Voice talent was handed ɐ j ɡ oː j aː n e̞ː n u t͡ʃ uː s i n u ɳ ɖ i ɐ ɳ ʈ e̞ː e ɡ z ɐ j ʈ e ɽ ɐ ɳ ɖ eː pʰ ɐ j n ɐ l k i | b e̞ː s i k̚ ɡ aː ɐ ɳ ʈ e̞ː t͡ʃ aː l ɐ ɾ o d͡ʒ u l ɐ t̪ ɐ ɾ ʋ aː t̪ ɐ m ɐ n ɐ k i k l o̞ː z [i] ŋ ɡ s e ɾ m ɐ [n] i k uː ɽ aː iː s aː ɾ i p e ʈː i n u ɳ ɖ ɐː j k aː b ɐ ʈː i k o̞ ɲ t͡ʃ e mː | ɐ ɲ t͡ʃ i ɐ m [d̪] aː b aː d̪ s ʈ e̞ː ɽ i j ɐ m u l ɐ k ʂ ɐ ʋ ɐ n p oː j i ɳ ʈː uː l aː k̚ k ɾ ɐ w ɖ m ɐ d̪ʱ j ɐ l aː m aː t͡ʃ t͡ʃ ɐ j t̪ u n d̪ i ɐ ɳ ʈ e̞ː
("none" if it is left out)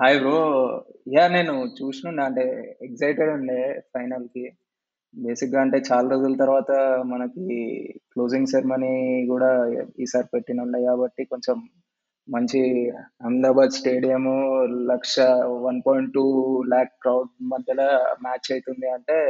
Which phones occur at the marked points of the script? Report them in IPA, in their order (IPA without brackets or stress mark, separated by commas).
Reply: i, n, d̪